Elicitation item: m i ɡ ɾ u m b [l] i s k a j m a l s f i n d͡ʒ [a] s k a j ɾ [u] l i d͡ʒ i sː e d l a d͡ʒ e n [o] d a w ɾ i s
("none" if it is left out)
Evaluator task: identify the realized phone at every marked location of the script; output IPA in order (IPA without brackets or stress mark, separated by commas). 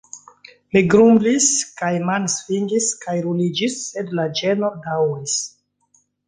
l, i, u, o